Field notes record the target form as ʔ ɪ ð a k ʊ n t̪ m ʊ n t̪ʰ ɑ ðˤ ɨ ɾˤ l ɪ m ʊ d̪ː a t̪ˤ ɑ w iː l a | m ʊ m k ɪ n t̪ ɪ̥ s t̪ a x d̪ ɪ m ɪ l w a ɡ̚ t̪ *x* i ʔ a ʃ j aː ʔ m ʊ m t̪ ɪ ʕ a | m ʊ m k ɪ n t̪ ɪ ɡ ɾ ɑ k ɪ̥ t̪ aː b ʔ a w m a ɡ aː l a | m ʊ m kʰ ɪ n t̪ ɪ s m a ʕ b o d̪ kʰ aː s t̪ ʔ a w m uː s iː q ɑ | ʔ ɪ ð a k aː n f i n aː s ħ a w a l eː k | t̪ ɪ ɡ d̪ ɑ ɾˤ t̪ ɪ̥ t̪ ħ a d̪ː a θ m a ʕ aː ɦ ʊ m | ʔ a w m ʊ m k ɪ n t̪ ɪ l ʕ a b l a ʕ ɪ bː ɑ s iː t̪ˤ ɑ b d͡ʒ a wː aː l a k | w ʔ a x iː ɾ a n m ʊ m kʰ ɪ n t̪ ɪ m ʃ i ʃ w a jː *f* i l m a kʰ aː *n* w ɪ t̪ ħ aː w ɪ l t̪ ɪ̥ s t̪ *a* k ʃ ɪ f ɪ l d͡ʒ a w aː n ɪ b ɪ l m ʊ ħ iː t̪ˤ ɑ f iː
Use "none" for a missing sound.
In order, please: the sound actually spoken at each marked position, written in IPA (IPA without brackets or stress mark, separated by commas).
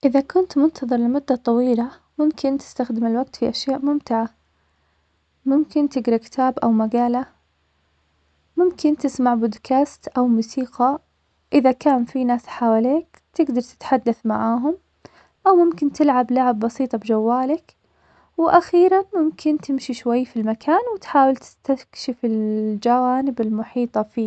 f, f, n, a